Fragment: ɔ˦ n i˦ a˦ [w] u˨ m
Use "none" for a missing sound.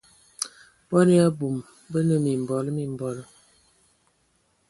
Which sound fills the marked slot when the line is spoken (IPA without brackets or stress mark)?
b